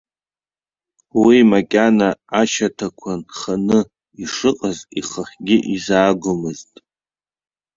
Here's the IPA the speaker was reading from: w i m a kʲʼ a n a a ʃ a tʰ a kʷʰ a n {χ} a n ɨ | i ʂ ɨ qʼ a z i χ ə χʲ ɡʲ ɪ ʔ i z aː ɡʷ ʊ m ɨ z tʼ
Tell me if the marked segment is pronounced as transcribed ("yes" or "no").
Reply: yes